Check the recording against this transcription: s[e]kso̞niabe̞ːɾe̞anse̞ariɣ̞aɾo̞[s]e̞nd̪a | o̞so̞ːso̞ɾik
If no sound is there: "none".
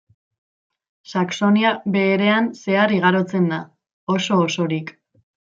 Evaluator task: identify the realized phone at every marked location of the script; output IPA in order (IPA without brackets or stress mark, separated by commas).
a, t͡s